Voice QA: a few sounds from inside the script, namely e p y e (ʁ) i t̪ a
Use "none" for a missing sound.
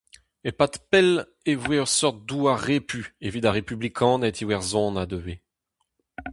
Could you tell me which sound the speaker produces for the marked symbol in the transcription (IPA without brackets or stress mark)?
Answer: v